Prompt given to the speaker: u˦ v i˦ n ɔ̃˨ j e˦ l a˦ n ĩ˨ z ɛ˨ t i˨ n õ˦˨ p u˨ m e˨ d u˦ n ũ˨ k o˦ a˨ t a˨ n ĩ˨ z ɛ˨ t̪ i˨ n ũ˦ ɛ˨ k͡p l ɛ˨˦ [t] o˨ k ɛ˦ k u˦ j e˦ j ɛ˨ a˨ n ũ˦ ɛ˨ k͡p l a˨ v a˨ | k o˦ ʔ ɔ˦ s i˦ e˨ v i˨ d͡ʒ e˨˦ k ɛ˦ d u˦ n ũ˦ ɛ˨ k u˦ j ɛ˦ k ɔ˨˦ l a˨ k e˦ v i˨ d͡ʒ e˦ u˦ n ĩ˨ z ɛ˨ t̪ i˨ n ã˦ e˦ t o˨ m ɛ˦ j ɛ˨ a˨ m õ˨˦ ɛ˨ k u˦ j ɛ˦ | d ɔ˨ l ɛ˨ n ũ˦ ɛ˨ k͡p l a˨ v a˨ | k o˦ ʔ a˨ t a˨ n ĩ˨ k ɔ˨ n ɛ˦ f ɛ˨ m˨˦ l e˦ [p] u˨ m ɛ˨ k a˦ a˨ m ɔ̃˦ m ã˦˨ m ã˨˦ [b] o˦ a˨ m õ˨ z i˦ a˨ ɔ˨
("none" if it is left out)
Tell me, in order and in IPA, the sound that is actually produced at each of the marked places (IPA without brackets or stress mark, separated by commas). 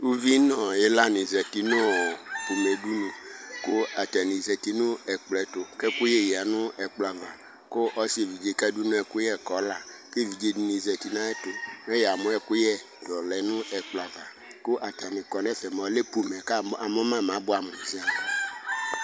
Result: t, p, b